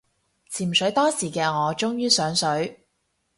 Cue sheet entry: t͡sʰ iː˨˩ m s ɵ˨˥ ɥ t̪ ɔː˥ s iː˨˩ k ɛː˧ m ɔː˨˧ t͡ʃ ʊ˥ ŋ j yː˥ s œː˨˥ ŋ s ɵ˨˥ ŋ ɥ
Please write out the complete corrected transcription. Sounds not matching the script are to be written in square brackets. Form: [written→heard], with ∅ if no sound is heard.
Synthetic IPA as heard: t͡sʰ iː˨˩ m s ɵ˨˥ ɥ t̪ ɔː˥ s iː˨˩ k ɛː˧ [m→ŋ] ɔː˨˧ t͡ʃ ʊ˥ ŋ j yː˥ s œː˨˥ ŋ s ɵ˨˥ [ŋ→∅] ɥ

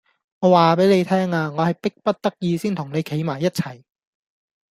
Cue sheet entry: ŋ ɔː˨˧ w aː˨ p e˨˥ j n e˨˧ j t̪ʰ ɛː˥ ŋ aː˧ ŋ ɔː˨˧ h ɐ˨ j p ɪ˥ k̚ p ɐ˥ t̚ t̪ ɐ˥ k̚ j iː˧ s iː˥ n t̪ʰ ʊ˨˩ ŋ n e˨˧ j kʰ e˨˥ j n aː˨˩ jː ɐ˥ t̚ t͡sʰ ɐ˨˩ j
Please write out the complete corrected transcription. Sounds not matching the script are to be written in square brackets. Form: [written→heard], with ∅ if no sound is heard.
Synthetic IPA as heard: ŋ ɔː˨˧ w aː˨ p e˨˥ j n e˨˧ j t̪ʰ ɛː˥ ŋ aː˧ ŋ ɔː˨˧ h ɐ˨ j p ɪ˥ k̚ p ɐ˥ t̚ t̪ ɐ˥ k̚ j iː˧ s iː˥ n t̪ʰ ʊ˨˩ ŋ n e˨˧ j kʰ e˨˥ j [n→m] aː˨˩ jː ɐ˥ t̚ t͡sʰ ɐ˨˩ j

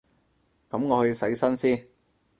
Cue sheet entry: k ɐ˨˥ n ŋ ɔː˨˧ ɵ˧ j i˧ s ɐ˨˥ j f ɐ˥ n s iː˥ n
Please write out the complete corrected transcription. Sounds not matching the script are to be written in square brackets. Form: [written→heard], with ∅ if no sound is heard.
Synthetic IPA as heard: k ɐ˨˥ [n→m] ŋ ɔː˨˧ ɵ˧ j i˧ s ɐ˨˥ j [f→s] ɐ˥ n s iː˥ n

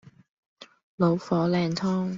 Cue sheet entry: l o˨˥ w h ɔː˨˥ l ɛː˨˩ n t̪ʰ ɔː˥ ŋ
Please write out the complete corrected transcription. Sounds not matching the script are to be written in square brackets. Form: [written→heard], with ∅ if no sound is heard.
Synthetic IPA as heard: l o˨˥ w [h→f] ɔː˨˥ l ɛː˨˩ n t̪ʰ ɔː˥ ŋ

